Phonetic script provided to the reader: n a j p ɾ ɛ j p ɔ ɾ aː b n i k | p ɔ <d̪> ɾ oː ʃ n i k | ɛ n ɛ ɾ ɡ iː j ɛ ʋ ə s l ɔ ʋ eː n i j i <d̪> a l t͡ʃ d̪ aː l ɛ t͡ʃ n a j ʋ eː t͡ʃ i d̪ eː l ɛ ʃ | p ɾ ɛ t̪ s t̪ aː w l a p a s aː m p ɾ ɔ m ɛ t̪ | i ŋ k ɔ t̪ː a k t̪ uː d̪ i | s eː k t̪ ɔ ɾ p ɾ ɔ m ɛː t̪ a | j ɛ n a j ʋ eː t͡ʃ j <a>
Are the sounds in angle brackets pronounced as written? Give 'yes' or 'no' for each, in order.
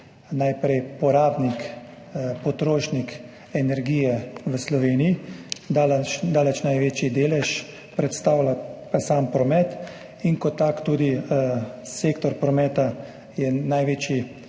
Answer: no, yes, no

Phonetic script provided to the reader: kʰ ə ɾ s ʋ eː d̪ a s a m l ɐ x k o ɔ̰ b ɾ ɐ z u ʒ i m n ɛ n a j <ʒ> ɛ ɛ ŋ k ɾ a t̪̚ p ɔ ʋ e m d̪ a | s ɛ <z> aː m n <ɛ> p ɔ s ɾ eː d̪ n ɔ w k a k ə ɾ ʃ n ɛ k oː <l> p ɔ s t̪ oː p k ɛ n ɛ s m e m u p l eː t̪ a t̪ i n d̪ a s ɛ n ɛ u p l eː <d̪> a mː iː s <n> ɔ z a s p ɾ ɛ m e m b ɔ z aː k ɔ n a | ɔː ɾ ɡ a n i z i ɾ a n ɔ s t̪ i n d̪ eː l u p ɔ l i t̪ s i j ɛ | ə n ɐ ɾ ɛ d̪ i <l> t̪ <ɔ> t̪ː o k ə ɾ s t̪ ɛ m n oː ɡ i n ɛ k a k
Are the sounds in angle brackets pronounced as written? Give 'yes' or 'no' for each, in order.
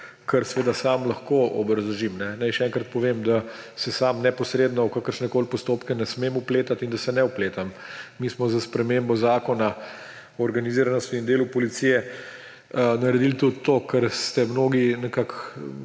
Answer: no, no, yes, yes, no, no, yes, no

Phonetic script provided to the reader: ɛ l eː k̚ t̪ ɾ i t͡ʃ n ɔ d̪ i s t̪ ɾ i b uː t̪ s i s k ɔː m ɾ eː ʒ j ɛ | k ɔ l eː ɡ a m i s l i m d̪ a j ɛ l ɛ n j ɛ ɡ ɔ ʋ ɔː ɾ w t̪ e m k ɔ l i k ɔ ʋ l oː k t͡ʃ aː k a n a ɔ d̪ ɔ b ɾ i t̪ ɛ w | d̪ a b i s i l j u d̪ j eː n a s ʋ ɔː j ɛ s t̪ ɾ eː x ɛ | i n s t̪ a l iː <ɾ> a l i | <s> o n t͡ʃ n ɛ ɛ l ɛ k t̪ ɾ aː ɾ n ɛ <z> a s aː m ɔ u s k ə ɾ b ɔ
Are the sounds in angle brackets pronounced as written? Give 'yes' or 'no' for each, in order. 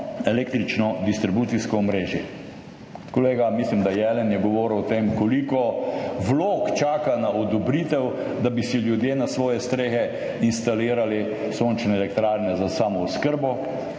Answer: yes, yes, yes

